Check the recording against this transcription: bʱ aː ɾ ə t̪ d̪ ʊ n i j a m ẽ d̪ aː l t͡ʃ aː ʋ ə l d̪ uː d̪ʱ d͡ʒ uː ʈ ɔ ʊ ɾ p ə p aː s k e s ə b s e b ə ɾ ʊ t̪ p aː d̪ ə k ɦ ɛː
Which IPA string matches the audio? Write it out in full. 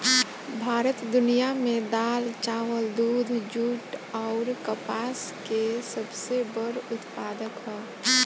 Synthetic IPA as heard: bʱ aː ɾ ə t̪ d̪ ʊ n i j a m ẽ d̪ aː l t͡ʃ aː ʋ ə l d̪ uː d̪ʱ d͡ʒ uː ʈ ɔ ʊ ɾ k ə p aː s k e s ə b s e b ə ɾ ʊ t̪ p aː d̪ ə k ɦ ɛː